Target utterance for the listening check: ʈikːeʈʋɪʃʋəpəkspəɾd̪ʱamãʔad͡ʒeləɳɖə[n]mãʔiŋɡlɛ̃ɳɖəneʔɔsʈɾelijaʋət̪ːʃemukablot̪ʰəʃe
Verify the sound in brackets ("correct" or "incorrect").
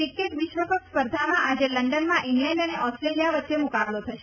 correct